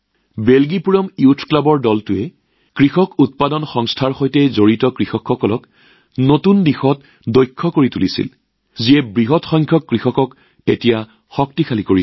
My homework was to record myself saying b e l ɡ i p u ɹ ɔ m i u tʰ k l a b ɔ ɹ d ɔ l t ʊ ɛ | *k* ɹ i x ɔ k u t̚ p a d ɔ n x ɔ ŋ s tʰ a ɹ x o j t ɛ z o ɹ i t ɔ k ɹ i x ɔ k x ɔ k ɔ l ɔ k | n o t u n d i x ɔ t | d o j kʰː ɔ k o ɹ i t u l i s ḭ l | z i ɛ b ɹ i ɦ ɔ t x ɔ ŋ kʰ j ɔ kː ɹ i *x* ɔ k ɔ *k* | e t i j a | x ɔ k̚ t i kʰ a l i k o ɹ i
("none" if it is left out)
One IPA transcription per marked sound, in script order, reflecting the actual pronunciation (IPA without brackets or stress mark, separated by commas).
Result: k, x, k